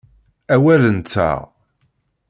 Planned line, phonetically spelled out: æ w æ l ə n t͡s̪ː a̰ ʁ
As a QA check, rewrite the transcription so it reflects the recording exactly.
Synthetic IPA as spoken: æ w æ l ə n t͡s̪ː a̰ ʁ